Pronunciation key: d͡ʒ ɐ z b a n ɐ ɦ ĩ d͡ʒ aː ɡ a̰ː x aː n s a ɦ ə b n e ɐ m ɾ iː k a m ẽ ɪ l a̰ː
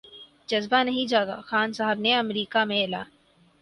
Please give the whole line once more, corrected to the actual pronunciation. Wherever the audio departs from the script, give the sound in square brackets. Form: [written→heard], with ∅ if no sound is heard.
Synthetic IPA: d͡ʒ ɐ z b a n ɐ ɦ ĩ d͡ʒ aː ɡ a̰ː x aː n s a ɦ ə b n e ɐ m ɾ iː k a m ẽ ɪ l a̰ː